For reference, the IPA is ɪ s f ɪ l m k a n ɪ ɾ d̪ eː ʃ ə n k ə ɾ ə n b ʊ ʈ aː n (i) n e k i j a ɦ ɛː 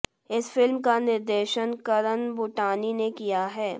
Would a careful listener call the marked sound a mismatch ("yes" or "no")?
no